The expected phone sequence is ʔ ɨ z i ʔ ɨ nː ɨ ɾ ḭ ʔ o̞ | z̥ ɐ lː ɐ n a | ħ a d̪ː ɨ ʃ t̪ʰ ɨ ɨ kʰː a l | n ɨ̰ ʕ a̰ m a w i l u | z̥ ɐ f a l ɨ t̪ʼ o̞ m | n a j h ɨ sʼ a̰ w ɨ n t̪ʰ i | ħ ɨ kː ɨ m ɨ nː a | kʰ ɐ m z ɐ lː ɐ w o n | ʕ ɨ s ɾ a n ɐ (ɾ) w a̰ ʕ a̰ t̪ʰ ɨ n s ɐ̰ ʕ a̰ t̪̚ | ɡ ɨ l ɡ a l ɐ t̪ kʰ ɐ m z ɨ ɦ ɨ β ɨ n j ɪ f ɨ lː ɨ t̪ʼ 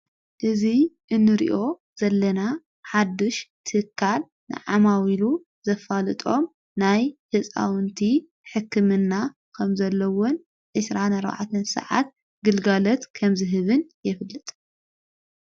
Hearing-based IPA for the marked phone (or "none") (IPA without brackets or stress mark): ɾ